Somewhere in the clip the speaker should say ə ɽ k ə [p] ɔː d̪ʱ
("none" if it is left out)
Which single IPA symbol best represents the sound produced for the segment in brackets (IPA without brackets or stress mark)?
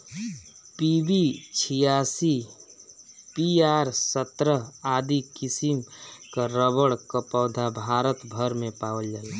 p